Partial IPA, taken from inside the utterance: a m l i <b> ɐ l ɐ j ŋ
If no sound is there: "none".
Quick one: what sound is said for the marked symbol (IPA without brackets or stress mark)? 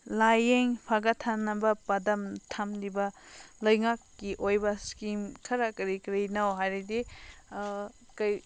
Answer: b